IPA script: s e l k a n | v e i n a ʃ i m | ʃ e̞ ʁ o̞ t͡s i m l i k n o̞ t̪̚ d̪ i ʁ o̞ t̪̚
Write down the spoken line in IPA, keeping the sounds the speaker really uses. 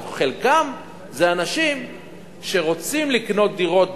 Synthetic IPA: χ e l k a m | z e a n a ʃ i m | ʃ e̞ ʁ o̞ t͡s i m l i k n o̞ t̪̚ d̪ i ʁ o̞ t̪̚